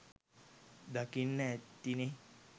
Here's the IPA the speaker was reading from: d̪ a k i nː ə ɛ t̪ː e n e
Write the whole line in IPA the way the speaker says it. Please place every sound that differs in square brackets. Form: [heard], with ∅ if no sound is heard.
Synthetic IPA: d̪ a k i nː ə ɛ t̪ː [i] n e